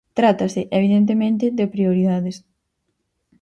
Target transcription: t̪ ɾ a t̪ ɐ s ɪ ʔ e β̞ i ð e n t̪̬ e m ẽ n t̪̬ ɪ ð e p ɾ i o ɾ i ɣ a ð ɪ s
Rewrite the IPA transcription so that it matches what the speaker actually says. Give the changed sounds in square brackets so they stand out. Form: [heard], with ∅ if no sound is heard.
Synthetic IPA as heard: t̪ ɾ a t̪ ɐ s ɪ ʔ e β̞ i ð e n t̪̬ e m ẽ n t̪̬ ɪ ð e p ɾ i o ɾ i [ð] a ð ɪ s